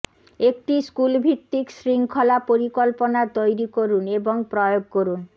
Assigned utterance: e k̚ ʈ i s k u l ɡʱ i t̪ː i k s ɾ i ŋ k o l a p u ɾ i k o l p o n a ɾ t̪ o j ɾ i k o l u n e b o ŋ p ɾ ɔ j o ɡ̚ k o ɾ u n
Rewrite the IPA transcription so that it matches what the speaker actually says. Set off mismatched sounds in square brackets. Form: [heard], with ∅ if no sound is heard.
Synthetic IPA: e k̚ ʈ i s k u l [bʱ] i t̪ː i k s ɾ i ŋ [kʰ] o l a p [o] ɾ i k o l p o n a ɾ t̪ o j ɾ i k o [ɾ] u n e b o ŋ p ɾ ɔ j o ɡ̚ k o ɾ u n